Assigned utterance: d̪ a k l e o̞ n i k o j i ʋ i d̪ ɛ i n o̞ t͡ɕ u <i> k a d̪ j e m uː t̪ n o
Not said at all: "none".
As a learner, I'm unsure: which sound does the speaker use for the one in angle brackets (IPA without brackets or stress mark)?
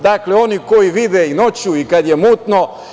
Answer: i